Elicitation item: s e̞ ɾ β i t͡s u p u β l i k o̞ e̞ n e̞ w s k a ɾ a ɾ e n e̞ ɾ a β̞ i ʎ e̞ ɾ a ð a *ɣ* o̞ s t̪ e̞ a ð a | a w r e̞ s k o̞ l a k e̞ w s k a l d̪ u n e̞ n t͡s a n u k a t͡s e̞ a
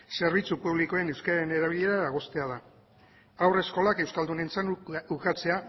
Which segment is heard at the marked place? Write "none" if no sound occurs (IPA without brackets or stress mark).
ɣ